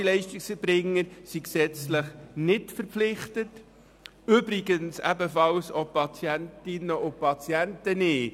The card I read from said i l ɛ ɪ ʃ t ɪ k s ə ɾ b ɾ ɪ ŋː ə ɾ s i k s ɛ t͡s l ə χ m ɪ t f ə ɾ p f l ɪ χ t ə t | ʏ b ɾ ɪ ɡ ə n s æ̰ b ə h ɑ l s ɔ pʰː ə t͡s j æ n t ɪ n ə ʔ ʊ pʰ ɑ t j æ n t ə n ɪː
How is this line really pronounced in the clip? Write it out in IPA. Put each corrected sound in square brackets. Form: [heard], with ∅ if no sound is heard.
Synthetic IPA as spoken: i l ɛ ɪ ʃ t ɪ k s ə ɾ b ɾ ɪ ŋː ə ɾ s i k s ɛ t͡s l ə χ [n] ɪ t f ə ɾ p f l ɪ χ t ə t | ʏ b ɾ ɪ ɡ ə n s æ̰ b ə [f] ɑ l s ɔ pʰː [ɑ] t͡s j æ n t ɪ n ə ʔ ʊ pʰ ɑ [t͡s] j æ n t ə n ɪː